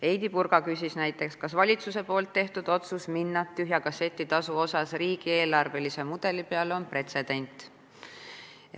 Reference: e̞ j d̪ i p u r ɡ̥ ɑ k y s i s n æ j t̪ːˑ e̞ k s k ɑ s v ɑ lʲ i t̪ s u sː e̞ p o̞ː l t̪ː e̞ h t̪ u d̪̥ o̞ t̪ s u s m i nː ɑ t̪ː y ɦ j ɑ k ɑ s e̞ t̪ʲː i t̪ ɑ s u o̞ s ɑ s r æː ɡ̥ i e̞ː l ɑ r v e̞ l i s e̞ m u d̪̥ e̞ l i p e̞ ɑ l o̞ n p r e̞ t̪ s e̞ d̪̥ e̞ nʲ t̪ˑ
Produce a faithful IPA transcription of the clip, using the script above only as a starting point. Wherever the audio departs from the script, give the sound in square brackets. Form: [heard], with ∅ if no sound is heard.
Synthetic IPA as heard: e̞ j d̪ i p u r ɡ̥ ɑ k y s i s n æ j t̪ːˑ e̞ k s k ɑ s v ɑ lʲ i t̪ s u [s] e̞ p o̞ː l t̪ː e̞ h t̪ u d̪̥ o̞ t̪ s u s m i nː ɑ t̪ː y ɦ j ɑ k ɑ s e̞ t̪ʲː i t̪ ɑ s u o̞ s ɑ s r [iː] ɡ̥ i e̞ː l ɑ r v e̞ l i s e̞ m u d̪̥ e̞ l i p e̞ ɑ l o̞ n p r e̞ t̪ s e̞ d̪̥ e̞ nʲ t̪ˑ